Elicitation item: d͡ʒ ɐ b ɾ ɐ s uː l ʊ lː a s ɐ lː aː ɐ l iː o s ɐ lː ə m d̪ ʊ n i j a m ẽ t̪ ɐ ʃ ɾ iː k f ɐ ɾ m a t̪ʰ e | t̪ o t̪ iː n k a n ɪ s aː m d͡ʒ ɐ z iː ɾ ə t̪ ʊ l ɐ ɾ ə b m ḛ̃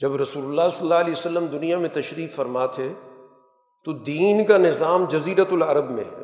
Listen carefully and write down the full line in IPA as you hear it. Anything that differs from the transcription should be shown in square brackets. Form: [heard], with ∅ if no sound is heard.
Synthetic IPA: d͡ʒ ɐ b ɾ ɐ s uː l ʊ lː a s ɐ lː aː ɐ l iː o s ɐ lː ə m d̪ ʊ n i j a m ẽ t̪ ɐ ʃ ɾ iː k f ɐ ɾ m a t̪ʰ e | t̪ o [d̪] iː n k a n ɪ [z] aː m d͡ʒ ɐ z iː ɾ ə t̪ ʊ l ɐ ɾ ə b m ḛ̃